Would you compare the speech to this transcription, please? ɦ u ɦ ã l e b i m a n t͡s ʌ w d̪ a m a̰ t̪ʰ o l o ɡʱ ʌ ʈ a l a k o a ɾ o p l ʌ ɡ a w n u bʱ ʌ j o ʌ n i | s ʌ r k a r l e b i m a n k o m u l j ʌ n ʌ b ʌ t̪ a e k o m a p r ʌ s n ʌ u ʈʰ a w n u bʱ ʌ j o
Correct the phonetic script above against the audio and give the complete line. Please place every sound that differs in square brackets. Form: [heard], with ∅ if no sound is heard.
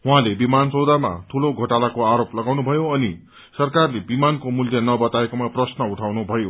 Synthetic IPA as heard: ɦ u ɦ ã l e b i m a n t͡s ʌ w d̪ a m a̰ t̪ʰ [u] l o ɡʱ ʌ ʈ a l a k o a ɾ o p l ʌ ɡ a w n u bʱ ʌ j o ʌ n i | s ʌ r k a r l e b i m a n k o m u l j ʌ n ʌ b ʌ t̪ a e k o m a p r ʌ s n ʌ u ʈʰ a w n u bʱ ʌ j o